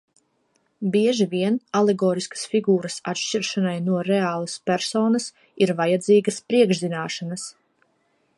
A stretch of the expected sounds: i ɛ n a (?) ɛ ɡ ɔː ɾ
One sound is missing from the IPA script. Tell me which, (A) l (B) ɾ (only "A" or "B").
A